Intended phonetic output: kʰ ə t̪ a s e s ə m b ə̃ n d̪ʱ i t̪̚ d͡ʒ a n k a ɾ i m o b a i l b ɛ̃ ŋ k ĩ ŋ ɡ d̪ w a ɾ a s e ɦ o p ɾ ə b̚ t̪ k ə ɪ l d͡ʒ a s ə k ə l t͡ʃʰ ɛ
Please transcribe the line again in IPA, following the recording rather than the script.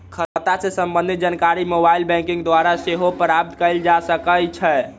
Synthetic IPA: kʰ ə t̪ a s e s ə m b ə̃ n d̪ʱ i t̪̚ d͡ʒ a n k a ɾ i m o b a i l b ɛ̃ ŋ k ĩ ŋ ɡ d̪ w a ɾ a s e ɦ o p ɾ a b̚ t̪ k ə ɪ l d͡ʒ a s ə k ə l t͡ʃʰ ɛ